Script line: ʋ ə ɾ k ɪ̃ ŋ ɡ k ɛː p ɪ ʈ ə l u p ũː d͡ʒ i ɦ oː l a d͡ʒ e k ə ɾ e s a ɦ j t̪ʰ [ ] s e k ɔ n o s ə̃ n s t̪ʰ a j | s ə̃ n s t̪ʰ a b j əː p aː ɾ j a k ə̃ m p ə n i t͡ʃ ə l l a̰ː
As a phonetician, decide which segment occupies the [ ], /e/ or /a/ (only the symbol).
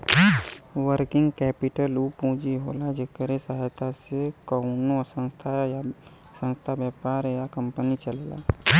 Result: a